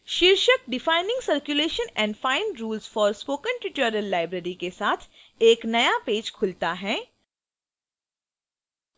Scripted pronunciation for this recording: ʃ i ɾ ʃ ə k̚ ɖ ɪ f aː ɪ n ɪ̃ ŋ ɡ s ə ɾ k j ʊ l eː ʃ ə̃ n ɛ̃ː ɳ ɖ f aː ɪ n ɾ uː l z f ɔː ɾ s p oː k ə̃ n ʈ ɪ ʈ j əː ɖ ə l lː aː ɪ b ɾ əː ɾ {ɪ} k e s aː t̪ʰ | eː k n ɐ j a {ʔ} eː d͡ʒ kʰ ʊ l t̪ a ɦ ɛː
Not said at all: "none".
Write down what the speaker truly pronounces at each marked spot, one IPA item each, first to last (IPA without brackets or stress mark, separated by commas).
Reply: i, p